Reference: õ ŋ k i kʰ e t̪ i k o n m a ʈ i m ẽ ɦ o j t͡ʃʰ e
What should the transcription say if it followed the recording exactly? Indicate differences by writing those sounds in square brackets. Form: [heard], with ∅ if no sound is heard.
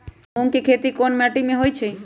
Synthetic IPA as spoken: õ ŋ k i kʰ e t̪ i k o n m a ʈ i m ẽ ɦ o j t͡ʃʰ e